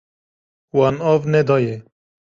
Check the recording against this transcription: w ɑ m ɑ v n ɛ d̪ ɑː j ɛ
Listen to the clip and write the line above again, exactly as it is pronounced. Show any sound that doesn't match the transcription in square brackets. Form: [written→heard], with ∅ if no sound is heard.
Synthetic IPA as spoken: w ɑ [m→n] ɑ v n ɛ d̪ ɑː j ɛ